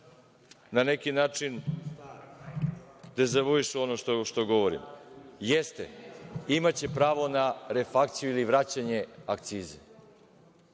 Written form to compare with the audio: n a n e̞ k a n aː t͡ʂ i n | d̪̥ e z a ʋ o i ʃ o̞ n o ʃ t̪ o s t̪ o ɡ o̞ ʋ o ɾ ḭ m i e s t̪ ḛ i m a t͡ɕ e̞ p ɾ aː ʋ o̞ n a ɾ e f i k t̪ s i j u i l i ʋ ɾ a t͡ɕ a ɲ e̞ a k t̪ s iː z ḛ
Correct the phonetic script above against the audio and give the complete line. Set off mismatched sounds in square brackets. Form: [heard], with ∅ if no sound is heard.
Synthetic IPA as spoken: n a n e̞ k [i] n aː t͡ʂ i n | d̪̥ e z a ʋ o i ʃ o̞ n o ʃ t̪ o [ʃ] t̪ o ɡ o̞ ʋ o ɾ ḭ m [j] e s t̪ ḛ i m a t͡ɕ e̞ p ɾ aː ʋ o̞ n a ɾ e f [a] k t̪ s i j u i l i ʋ ɾ a t͡ɕ a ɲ e̞ a k t̪ s iː z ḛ